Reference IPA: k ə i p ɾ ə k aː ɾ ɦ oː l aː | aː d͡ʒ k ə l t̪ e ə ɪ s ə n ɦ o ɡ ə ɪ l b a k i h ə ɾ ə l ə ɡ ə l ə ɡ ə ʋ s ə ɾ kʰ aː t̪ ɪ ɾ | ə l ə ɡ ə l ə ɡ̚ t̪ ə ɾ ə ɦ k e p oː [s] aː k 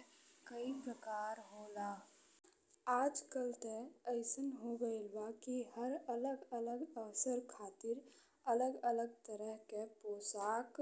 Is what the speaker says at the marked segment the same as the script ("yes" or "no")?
yes